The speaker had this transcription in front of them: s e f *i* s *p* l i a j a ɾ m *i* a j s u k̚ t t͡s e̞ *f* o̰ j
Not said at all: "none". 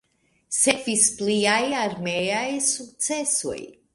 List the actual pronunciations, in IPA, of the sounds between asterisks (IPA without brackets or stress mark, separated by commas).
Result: i, p, e, s